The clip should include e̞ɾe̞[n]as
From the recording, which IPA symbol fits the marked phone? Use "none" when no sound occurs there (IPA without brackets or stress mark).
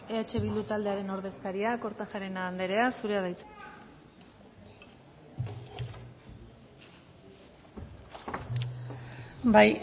none